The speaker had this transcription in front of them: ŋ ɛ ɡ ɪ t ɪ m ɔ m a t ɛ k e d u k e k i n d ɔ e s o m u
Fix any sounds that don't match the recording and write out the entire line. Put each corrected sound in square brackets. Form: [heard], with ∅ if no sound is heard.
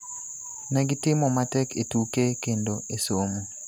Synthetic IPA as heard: [n] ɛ ɡ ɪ t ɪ m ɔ m a t ɛ k e [t] u k e k [e] n d [o] e s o m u